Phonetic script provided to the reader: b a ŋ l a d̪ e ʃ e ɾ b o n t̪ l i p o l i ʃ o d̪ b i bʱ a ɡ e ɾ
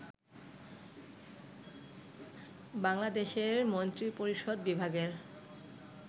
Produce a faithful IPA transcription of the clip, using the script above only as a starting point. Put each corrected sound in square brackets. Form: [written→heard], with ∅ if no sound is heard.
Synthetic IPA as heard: b a ŋ l a d̪ e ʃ e ɾ [b→m] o n t̪ [l→ɾ] i p o [l→ɾ] i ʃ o d̪ b i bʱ a ɡ e ɾ